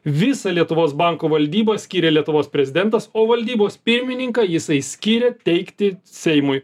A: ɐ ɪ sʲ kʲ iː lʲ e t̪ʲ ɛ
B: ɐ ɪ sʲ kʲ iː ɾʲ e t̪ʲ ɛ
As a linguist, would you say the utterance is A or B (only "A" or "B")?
B